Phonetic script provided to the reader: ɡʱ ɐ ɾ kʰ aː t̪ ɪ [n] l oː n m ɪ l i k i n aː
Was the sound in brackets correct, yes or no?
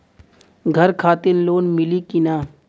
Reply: yes